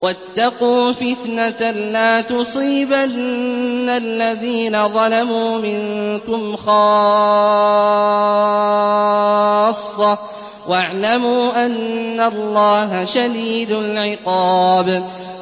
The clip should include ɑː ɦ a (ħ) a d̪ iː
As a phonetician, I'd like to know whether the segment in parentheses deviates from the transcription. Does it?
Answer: yes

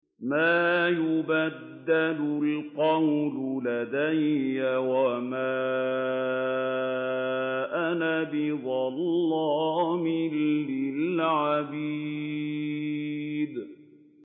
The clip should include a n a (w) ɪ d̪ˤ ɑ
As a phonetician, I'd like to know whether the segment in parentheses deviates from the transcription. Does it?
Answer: yes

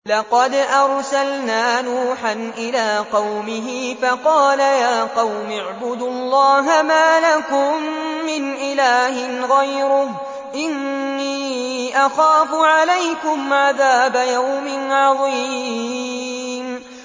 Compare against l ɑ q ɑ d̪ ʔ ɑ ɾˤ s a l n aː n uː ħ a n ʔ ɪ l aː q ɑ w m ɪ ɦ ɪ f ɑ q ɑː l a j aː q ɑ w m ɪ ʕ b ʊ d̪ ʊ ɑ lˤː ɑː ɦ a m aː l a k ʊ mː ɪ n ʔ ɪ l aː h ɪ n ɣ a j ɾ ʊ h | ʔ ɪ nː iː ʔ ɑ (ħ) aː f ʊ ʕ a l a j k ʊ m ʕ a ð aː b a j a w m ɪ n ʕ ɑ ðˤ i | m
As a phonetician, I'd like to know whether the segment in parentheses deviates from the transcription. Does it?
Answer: yes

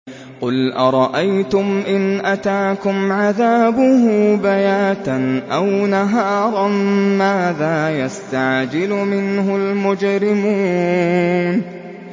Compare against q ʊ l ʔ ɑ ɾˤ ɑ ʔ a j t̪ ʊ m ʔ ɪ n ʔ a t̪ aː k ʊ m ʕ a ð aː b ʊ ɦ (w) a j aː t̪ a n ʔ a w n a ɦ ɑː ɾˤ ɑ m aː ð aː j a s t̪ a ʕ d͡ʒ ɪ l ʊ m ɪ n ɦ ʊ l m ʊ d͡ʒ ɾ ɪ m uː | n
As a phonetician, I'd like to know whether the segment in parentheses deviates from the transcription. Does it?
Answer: yes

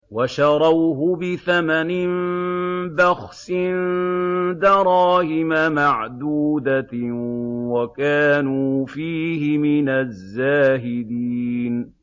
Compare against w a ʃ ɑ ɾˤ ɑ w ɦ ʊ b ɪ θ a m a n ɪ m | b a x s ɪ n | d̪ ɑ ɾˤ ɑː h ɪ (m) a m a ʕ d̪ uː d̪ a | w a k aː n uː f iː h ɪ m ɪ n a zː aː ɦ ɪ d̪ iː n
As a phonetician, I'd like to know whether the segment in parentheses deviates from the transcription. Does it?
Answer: no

